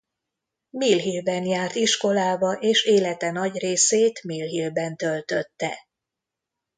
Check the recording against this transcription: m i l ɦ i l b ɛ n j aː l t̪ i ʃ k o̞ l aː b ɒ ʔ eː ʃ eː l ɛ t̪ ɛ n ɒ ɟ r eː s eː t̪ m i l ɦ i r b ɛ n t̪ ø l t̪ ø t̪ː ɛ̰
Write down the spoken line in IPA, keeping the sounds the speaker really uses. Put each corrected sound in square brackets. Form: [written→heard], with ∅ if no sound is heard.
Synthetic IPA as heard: m i l ɦ i l b ɛ n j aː [l→r] t̪ i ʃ k o̞ l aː b ɒ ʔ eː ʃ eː l ɛ t̪ ɛ n ɒ ɟ r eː s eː t̪ m i l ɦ i [r→l] b ɛ n t̪ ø l t̪ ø t̪ː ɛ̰